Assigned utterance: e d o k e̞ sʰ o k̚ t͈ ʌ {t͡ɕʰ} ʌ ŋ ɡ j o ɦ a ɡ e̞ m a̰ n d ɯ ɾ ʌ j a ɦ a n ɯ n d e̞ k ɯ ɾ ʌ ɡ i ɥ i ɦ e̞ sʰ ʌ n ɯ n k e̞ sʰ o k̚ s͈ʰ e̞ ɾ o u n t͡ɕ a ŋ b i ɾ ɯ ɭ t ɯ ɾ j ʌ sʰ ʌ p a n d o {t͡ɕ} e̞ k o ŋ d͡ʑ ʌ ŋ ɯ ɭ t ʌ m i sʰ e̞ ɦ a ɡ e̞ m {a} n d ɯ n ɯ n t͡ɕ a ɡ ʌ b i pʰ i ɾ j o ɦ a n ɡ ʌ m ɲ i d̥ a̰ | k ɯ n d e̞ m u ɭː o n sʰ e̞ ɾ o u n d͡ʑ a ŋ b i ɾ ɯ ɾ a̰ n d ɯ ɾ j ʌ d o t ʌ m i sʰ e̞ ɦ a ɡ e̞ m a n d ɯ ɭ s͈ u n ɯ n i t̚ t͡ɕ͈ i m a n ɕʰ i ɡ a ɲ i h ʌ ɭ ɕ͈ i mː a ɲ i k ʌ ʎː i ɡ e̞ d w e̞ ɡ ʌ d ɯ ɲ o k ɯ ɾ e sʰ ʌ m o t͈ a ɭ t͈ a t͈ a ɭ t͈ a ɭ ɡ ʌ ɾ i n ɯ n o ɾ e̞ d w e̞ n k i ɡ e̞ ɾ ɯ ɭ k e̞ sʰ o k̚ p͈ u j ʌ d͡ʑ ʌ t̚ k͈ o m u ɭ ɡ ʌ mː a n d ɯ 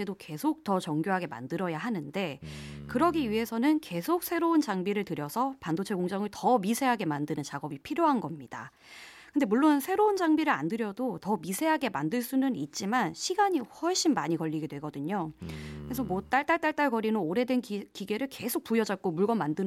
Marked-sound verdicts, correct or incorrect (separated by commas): incorrect, incorrect, correct